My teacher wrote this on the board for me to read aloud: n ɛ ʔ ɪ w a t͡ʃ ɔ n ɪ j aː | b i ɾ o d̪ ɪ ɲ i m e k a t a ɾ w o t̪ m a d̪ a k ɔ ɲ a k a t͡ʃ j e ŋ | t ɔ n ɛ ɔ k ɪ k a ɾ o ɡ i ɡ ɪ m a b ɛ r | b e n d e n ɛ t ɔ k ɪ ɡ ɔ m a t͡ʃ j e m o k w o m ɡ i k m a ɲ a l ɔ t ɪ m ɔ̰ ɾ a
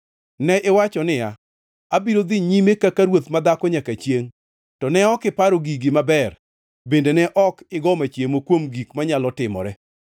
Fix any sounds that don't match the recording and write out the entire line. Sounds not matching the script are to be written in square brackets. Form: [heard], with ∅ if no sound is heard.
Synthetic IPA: n ɛ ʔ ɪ w a t͡ʃ ɔ n ɪ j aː | b i ɾ o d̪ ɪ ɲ i m e k a [k] a ɾ w o t̪ m a d̪ a k ɔ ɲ a k a t͡ʃ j e ŋ | t ɔ n ɛ ɔ k ɪ [p] a ɾ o ɡ i ɡ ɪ m a b ɛ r | b e n d e n ɛ [ʔ] ɔ k ɪ ɡ ɔ m a t͡ʃ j e m o k w o m ɡ i k m a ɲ a l ɔ t ɪ m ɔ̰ ɾ [ɛ]